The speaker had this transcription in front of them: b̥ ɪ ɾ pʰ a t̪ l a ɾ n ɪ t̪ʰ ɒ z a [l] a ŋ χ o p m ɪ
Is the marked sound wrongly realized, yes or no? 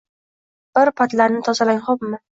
no